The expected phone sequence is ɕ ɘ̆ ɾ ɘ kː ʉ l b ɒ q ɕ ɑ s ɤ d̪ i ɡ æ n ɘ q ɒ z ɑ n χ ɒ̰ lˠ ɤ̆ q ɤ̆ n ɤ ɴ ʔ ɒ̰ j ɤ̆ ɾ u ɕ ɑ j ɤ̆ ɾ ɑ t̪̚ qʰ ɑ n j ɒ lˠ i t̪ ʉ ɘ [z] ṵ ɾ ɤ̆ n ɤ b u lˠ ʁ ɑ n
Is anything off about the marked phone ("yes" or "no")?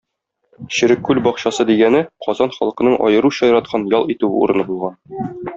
yes